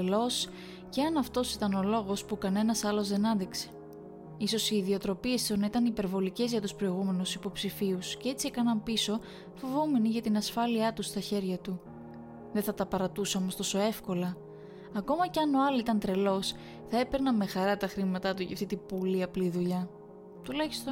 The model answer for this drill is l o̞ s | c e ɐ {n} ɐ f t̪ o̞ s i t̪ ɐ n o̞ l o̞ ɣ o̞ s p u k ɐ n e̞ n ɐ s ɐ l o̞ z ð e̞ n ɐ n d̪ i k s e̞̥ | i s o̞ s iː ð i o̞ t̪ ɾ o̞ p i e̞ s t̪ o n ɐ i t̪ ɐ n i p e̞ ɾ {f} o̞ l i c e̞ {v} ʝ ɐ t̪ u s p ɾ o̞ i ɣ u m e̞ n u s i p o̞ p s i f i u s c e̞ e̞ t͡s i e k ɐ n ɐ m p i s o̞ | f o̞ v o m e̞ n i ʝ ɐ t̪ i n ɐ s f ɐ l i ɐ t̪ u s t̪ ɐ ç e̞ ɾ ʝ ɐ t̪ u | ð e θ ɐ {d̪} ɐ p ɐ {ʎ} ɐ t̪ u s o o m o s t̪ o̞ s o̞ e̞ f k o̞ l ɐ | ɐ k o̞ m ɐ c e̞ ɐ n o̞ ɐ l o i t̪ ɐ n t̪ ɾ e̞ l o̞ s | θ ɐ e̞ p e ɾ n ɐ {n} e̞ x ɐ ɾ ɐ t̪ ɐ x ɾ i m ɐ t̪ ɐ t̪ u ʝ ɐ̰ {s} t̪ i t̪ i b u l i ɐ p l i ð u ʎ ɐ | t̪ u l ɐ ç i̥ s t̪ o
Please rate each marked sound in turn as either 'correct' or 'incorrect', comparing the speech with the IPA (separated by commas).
correct, incorrect, incorrect, incorrect, incorrect, incorrect, incorrect